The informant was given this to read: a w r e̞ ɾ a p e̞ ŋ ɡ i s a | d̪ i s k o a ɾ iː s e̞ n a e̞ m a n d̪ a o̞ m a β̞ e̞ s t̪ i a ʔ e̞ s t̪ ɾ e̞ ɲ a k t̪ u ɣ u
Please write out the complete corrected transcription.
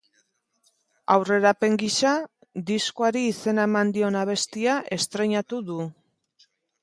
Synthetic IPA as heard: a w r e̞ ɾ a p e̞ ŋ ɡ i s a | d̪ i s k o a ɾ iː s e̞ n a e̞ m a n d̪ i o̞ n a β̞ e̞ s t̪ i a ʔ e̞ s t̪ ɾ e̞ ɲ a t̪ u ð u